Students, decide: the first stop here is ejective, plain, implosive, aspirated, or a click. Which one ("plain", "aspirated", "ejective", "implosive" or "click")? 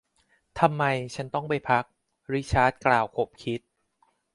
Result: aspirated